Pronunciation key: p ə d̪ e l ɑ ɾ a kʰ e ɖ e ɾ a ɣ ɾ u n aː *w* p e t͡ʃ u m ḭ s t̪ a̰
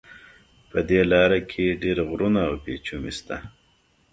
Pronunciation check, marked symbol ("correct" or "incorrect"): correct